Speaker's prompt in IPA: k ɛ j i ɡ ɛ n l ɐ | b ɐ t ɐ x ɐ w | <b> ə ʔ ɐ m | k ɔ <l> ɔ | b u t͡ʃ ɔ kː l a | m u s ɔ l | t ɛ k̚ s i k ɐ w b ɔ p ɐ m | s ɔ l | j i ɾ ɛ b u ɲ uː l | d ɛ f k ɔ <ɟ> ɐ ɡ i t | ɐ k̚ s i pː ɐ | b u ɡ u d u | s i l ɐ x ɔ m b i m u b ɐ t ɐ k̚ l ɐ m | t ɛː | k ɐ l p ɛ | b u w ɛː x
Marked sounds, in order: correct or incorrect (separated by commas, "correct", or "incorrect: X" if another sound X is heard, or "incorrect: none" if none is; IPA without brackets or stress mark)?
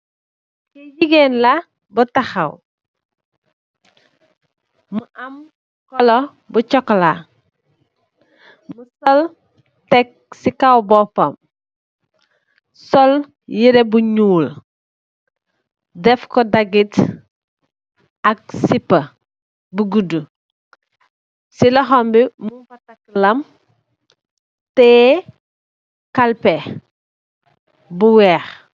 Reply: incorrect: m, correct, incorrect: d